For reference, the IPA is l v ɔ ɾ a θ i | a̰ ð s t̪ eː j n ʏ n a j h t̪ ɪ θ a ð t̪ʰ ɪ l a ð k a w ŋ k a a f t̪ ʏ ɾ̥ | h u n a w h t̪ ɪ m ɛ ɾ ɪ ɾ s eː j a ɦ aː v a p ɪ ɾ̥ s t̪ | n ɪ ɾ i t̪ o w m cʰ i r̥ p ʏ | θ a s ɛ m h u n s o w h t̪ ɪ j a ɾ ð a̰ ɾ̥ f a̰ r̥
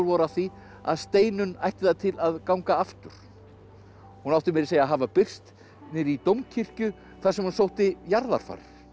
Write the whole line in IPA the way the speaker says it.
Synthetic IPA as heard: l v ɔ ɾ a θ i | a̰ ð s t̪ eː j n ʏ n a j h t̪ ɪ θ a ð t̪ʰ ɪ l a ð k a w ŋ k a a f t̪ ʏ ɾ̥ | h u n a w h t̪ ɪ m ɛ ɾ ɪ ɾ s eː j a ɦ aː v a p ɪ r̥ s t̪ | n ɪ ɾ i t̪ o w m cʰ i r̥ c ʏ | θ a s ɛ m h u n s o w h t̪ ɪ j a ɾ ð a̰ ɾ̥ f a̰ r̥